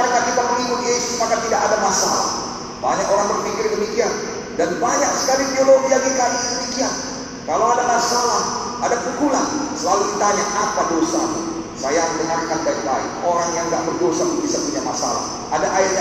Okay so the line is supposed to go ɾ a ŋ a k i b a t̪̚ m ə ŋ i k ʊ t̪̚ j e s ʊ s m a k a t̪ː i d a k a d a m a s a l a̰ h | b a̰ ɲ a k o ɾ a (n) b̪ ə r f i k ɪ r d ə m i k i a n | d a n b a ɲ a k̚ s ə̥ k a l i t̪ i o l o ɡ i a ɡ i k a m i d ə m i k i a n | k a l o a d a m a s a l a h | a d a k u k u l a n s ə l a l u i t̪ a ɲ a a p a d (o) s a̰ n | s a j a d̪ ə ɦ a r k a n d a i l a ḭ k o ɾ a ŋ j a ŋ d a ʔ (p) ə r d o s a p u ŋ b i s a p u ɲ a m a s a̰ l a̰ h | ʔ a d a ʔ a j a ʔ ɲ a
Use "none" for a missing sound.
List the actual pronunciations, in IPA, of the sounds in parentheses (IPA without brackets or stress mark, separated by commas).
ŋ, o, b